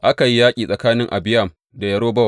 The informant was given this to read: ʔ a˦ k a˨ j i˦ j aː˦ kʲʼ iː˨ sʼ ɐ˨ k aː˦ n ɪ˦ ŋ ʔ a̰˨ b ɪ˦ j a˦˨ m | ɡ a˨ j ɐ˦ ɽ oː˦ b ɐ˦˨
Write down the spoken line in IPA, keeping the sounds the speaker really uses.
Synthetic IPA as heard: ʔ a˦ k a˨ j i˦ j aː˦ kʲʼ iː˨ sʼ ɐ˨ k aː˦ n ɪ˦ ŋ ʔ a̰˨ b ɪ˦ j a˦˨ m | d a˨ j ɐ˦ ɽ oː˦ b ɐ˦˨